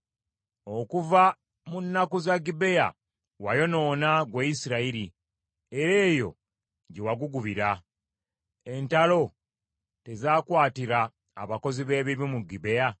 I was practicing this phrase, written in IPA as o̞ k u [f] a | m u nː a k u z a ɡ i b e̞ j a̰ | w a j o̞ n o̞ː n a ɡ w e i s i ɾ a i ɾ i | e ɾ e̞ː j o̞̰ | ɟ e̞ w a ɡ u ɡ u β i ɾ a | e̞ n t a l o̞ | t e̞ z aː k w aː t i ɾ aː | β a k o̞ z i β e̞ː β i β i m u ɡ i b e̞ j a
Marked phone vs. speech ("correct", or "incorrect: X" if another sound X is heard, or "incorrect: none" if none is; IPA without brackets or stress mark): incorrect: v